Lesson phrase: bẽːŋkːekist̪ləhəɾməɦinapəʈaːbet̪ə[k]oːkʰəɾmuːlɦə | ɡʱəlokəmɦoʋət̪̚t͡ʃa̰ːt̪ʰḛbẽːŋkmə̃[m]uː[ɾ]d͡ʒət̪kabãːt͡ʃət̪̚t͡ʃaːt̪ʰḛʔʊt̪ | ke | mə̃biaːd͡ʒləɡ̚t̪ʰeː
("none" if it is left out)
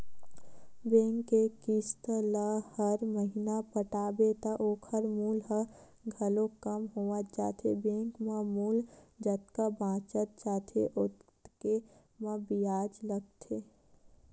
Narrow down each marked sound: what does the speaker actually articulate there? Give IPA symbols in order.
ʔ, m, l

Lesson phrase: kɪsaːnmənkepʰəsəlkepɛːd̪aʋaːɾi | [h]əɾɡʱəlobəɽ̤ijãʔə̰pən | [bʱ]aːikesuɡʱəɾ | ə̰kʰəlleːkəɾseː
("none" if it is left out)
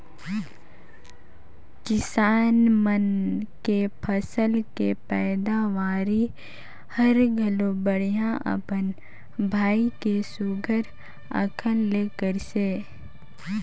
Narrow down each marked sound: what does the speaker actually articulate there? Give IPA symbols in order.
h, bʱ

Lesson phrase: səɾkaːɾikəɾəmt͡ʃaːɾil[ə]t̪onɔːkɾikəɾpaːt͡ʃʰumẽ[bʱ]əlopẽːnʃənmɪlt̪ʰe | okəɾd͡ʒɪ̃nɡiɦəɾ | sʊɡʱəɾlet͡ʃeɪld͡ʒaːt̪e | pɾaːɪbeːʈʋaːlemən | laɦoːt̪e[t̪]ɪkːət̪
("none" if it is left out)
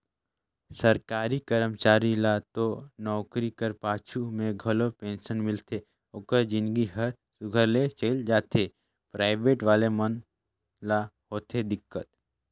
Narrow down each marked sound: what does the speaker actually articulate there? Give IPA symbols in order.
a, ɡʱ, d̪

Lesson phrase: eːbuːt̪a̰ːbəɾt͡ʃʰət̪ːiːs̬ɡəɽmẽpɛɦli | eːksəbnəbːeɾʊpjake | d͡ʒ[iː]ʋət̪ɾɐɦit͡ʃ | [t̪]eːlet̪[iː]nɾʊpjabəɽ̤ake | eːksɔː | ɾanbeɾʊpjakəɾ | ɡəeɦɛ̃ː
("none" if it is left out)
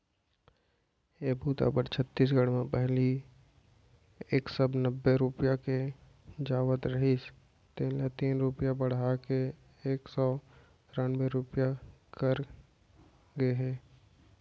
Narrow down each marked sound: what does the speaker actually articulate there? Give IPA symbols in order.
aː, t̪, iː

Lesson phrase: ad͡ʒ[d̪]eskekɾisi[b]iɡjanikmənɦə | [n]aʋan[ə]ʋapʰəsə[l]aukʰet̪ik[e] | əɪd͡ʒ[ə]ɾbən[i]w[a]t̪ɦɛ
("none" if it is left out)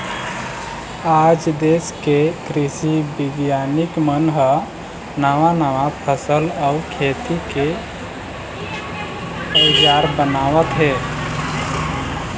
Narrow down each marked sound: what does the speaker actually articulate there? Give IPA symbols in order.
d̪, b, n, a, l, e, a, a, ə

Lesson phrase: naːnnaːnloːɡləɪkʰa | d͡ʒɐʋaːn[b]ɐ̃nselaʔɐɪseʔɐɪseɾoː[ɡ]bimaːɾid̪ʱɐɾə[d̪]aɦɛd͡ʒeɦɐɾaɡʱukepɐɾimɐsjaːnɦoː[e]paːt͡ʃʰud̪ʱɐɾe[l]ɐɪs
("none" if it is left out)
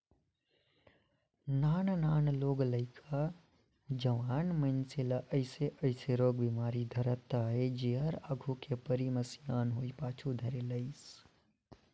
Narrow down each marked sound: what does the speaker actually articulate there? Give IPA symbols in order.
m, ɡ, t̪, i, l

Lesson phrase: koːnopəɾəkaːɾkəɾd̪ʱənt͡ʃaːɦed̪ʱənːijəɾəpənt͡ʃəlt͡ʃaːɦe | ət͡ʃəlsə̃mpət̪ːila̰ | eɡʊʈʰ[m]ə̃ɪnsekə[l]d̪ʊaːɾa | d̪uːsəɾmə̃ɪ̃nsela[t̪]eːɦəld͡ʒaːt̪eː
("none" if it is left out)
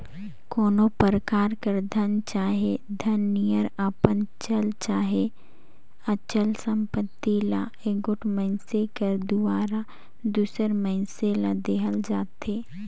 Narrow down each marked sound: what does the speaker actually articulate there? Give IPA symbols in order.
m, ɾ, d̪

